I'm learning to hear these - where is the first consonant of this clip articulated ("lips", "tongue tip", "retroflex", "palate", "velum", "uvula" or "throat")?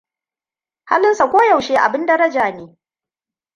throat